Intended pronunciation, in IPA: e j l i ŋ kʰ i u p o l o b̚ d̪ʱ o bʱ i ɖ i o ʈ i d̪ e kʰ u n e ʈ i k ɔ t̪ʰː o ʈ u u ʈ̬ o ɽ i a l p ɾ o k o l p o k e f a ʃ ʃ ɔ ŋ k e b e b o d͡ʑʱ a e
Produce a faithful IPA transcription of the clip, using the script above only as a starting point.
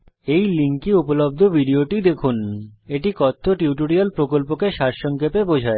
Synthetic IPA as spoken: e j l i ŋ k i u p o l o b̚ d̪ʱ o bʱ i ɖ i o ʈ i d̪ e kʰ u n e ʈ i k ɔ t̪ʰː o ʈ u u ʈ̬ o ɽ i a l p ɾ o k o l p o k e ʃ a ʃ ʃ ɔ ŋ k e p e b o d͡ʑʱ a e

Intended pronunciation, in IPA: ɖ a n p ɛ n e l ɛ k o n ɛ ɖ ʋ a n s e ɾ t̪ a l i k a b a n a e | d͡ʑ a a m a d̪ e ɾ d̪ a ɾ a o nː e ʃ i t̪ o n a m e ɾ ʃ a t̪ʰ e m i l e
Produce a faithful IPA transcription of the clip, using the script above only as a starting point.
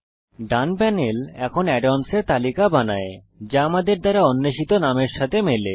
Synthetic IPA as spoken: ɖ a n p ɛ n e l ɛ kʰ o n ɛ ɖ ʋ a n s e ɾ t̪ a l i k a b a n a e | d͡ʑ a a m a d̪ e ɾ d̪ a ɾ a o nː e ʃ i t̪ o n a m e ɾ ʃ a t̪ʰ e m e l e

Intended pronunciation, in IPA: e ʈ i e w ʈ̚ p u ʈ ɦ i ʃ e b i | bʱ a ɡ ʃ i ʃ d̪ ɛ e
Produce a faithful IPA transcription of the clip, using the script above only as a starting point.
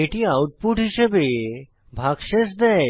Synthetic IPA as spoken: e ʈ i a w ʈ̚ p u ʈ ɦ i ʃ e b e | bʱ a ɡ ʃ e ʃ d̪ ɛ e

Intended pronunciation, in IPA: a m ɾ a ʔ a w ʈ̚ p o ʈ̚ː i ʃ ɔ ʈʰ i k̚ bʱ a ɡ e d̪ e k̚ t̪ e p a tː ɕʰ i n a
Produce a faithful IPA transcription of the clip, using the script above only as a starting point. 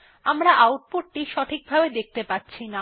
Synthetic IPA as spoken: a m ɾ a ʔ a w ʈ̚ p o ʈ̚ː i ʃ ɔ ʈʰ i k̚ bʱ a b e d̪ e k̚ t̪ e p a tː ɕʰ i n a

